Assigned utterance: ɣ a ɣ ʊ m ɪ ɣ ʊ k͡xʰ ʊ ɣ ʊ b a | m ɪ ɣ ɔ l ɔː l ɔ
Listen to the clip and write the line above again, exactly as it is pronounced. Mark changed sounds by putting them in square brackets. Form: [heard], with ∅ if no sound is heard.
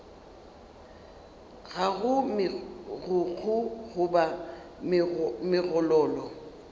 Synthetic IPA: ɣ a ɣ ʊ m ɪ ɣ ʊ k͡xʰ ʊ ɣ ʊ b a | m ɪ ɣ ɔ l ɔː l ɔ